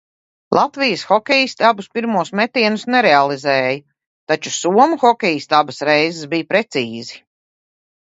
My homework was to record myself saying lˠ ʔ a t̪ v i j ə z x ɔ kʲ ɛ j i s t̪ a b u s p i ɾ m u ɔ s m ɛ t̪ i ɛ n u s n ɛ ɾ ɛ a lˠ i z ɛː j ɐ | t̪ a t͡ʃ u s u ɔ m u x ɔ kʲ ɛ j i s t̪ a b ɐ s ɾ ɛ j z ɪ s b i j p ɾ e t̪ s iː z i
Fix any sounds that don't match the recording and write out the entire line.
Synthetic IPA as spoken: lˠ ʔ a t̪ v i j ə s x ɔ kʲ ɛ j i s t̪ a b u s p i ɾ m u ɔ s m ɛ t̪ i ɛ n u s n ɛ ɾ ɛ a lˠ i z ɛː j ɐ | t̪ a t͡ʃ u s u ɔ m u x ɔ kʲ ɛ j i s t̪ a b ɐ s ɾ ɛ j z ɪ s b i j p ɾ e t̪ s iː z i